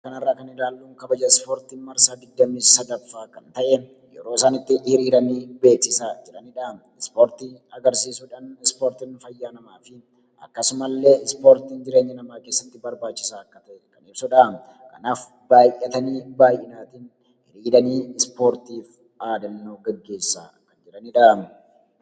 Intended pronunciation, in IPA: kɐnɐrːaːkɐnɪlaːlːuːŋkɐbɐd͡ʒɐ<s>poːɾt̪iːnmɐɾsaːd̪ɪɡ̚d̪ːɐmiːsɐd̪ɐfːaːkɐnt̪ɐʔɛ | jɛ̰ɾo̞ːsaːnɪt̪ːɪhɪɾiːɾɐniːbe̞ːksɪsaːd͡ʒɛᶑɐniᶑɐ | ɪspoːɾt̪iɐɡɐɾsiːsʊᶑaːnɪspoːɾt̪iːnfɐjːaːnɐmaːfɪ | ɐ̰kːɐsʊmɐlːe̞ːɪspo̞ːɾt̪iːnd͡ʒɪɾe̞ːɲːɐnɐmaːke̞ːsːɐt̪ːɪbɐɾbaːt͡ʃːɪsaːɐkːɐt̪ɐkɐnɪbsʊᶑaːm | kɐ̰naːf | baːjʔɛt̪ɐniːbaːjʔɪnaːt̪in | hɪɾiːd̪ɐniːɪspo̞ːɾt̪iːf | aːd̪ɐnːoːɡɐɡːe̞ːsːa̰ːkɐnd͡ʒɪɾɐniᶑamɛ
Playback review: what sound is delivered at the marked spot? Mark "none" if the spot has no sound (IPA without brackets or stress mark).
s